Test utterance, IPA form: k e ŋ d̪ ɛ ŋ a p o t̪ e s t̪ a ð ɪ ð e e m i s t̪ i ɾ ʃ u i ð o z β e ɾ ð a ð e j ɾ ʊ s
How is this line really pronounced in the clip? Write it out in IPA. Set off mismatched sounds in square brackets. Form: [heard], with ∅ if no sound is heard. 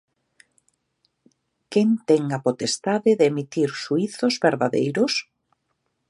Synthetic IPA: k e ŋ [t̪] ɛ ŋ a p o t̪ e s t̪ a ð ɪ ð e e m i [∅] t̪ i ɾ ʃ u i [θ] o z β e ɾ ð a ð e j ɾ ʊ s

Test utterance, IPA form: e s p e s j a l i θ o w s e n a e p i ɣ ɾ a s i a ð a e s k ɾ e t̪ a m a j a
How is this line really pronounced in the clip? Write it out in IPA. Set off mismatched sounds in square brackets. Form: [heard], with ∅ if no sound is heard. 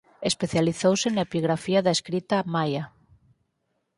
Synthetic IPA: e s p e [θ] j a l i θ o w s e n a e p i ɣ ɾ a [f] i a ð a e s k ɾ [i] t̪ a m a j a

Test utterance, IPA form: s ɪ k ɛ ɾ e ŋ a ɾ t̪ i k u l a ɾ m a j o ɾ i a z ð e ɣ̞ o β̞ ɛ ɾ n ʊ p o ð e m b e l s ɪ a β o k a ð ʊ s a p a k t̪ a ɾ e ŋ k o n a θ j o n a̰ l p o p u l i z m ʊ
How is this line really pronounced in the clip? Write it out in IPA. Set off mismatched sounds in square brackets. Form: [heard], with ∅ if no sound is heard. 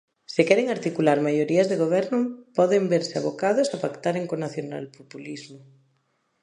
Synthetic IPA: s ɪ k ɛ ɾ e ŋ a ɾ t̪ i k u l a ɾ m a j o ɾ i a z ð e ɣ̞ o β̞ ɛ ɾ n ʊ p [ɔ] ð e m b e [ɾ] s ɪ a β o k a ð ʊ s a p a k t̪ a ɾ e ŋ k o n a θ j o n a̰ l p o p u l i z m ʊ

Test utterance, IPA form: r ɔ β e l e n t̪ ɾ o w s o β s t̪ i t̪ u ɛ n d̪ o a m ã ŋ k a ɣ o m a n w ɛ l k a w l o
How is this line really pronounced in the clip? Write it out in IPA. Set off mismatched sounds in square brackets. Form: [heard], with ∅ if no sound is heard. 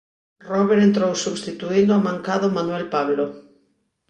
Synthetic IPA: r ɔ β e [ɾ] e n t̪ ɾ o w s [u] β s t̪ i t̪ u [i] n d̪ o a m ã ŋ k a [ð] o m a n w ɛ l [p] a [β] l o

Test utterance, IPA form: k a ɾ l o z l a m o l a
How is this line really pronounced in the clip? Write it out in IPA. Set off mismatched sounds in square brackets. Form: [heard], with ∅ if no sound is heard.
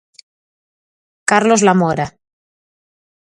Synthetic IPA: k a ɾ l o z l a m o [ɾ] a

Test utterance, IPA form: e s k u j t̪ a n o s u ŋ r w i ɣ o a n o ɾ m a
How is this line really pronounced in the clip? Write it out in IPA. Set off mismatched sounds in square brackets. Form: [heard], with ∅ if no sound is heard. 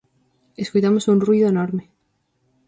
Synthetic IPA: e s k u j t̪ a [m] o s u [n] r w i [ð] o [e] n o ɾ m [e]

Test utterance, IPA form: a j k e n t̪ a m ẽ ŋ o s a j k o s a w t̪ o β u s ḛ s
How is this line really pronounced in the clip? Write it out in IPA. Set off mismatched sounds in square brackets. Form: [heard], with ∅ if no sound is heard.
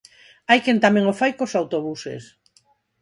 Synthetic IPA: a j k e n t̪ a m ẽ ŋ o [f] a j k o s a w t̪ o β u s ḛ s

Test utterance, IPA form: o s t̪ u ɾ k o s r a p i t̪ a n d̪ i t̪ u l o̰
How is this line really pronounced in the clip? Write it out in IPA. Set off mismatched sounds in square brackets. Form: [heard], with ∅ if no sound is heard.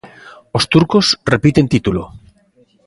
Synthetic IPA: o s t̪ u ɾ k o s r [e] p i t̪ [e] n [t̪] i t̪ u l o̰

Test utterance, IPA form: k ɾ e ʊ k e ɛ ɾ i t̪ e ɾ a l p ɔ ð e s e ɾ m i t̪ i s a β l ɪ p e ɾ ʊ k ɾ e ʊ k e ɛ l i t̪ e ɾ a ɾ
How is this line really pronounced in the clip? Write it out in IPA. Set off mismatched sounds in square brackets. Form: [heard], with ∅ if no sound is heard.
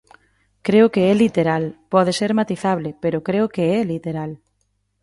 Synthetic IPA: k ɾ e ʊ k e ɛ [l] i t̪ e ɾ a l p ɔ ð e s e ɾ m [a] t̪ i [θ] a β l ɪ p e ɾ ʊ k ɾ e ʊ k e ɛ l i t̪ e ɾ a [l]

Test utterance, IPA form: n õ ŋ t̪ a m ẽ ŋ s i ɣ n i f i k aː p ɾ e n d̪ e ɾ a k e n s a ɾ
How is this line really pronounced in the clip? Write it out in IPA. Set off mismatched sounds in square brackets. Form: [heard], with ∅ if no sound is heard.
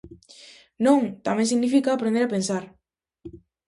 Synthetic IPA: n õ ŋ t̪ a m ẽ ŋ s i ɣ n i f i k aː p ɾ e n d̪ e ɾ a [p] e n s a ɾ

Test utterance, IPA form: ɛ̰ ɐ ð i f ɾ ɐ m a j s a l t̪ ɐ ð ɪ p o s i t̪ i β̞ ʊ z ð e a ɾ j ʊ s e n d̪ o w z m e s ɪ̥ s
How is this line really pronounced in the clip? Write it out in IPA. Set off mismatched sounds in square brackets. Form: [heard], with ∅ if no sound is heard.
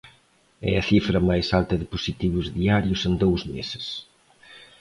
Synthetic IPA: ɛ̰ ɐ [θ] i f ɾ ɐ m a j s a l t̪ ɐ ð ɪ p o s i t̪ i β̞ ʊ z ð [i] a ɾ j ʊ s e n d̪ o w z m e s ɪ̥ s

